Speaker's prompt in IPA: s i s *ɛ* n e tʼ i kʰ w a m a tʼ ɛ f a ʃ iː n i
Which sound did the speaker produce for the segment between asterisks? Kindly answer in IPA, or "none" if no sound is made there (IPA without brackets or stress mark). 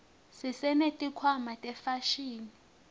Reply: ɛ